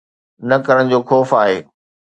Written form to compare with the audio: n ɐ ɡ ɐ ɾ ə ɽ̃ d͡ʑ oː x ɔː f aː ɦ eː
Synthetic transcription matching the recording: n ɐ k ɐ ɾ ə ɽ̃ d͡ʑ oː x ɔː f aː ɦ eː